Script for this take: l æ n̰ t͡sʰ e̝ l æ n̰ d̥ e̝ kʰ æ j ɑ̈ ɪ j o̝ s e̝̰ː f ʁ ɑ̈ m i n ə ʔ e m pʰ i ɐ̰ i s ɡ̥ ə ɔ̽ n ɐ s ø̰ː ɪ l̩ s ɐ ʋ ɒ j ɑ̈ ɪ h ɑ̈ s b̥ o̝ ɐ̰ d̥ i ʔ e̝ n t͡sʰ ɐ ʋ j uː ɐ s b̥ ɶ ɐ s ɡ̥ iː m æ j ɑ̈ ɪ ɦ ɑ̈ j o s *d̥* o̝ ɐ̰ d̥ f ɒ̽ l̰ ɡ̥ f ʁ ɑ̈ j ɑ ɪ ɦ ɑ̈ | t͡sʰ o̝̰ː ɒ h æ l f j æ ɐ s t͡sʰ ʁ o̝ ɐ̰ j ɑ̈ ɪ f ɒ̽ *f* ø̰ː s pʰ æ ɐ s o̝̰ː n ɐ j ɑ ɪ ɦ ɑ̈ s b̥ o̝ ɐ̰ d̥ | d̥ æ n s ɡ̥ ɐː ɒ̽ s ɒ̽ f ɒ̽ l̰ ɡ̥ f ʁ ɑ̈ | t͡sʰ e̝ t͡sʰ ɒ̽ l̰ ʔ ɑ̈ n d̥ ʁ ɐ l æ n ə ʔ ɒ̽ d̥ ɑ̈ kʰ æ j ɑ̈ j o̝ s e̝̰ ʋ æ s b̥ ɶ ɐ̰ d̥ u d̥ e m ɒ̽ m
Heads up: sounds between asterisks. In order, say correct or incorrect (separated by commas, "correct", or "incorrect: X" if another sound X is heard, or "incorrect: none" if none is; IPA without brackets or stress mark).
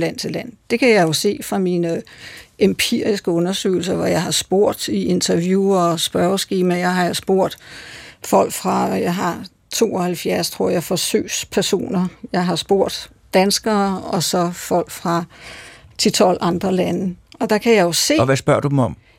incorrect: b̥, incorrect: s